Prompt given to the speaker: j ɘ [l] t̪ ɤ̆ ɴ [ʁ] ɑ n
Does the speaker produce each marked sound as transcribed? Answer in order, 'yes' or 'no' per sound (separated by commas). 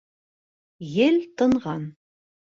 yes, yes